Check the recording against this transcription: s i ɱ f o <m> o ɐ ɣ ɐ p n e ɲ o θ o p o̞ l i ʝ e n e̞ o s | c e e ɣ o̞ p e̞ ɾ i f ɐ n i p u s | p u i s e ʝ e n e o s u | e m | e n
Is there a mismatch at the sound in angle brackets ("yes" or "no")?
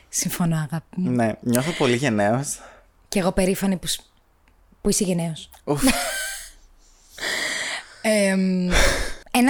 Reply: yes